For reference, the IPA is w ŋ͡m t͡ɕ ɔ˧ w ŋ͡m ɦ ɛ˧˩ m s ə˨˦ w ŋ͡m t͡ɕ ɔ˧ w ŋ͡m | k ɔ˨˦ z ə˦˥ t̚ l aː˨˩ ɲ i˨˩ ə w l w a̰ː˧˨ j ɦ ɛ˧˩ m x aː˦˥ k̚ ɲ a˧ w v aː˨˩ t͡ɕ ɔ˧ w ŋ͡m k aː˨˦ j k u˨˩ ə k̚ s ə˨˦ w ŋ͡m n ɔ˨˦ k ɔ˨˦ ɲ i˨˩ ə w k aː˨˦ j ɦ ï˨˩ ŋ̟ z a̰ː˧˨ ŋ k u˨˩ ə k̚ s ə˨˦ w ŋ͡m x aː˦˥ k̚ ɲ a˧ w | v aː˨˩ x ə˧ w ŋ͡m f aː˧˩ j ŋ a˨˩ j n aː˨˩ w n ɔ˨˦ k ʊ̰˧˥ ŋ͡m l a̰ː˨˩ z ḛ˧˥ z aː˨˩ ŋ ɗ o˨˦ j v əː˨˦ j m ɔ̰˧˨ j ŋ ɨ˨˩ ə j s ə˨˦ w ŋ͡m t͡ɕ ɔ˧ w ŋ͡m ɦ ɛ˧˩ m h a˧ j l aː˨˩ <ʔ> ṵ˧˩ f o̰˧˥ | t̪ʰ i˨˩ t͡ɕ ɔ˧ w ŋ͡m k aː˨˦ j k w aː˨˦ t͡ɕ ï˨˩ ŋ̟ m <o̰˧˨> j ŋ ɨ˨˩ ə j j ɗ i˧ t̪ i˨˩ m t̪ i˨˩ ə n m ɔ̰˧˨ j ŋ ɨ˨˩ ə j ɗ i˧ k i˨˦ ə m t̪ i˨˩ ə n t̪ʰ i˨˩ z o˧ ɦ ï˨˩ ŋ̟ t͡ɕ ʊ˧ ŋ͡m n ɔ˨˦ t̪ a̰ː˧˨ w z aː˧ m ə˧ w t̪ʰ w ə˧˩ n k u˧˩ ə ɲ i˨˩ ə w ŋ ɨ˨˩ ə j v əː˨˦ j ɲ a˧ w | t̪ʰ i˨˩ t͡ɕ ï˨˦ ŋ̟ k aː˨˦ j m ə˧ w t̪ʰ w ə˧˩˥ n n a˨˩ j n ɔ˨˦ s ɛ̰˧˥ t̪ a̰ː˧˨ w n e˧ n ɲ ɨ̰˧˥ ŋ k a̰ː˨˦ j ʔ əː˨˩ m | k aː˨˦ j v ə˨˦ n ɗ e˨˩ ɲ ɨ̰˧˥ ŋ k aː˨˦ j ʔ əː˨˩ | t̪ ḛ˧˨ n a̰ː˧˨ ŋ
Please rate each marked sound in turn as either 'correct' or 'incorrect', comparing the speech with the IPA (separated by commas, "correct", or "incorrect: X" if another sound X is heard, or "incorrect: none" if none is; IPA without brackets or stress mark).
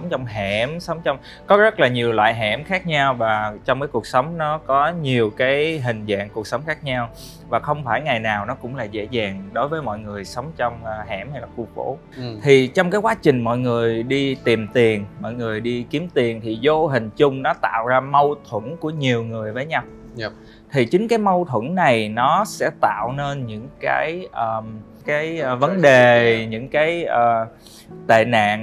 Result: incorrect: k, incorrect: ɔ̰˧˨